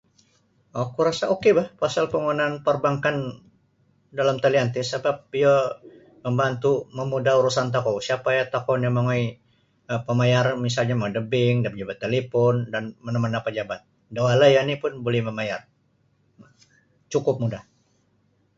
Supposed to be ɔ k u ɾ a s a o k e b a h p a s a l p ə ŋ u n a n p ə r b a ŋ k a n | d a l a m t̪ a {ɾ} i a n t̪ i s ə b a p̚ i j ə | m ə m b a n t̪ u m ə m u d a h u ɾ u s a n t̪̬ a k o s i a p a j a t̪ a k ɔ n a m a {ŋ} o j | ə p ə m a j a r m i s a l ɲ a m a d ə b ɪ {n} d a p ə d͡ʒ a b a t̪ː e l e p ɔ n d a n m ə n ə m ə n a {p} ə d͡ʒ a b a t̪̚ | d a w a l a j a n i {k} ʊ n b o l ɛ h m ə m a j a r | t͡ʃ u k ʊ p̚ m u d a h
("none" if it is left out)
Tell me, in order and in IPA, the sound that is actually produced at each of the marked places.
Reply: l, ŋ, ŋ, p, p

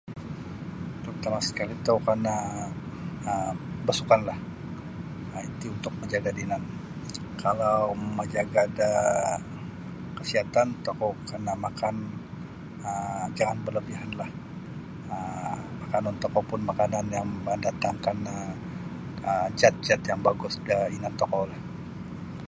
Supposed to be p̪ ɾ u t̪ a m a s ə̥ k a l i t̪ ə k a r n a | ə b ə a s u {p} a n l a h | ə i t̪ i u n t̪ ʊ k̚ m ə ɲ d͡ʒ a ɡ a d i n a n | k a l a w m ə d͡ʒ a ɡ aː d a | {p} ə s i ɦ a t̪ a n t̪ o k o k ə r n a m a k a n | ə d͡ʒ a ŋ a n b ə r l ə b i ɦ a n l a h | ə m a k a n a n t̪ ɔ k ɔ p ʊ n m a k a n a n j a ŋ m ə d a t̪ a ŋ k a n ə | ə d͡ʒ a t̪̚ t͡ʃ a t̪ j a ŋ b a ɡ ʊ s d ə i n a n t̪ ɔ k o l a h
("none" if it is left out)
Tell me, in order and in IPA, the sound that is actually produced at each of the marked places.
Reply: k, k

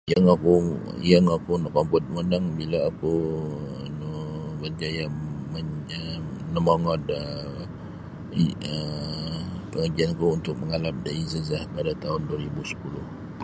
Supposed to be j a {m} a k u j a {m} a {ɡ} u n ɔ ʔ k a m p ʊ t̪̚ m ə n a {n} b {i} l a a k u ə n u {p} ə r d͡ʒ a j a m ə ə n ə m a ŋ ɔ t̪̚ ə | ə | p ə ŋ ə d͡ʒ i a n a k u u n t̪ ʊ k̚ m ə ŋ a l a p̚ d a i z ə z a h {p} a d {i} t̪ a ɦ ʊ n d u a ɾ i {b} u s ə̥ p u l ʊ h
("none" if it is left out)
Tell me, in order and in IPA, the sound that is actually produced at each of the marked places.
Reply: ŋ, ŋ, k, ŋ, i, b, p, a, b

